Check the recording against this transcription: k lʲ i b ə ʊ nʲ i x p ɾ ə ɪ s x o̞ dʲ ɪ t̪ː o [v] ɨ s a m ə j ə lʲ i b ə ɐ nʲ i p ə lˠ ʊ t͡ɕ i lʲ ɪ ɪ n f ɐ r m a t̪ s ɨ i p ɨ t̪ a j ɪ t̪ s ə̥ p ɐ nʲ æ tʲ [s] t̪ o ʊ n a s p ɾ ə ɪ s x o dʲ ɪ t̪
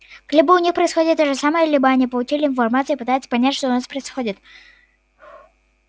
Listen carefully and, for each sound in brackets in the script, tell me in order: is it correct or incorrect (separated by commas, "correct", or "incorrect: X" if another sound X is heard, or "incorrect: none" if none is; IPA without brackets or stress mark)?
incorrect: ʐ, incorrect: ʂ